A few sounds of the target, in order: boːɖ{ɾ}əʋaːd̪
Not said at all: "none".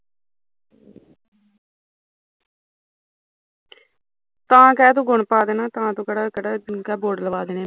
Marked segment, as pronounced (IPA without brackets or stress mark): l